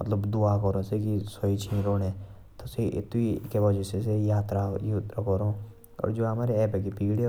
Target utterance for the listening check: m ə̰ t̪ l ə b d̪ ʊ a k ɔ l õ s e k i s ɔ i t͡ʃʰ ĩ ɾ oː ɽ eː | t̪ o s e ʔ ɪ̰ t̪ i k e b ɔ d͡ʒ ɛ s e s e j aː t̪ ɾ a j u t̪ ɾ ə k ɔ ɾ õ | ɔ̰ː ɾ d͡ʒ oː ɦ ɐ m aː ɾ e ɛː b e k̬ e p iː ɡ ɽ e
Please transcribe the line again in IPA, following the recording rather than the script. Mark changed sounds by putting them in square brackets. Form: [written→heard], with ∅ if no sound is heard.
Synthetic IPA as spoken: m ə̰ t̪ l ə b d̪ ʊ a k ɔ [l→ɾ] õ s e k i s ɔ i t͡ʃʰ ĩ ɾ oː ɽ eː | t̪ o s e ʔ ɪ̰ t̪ i k e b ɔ d͡ʒ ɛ s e s e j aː t̪ ɾ a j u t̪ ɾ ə k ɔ ɾ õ | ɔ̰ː ɾ d͡ʒ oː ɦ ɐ m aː ɾ e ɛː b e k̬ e p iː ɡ ɽ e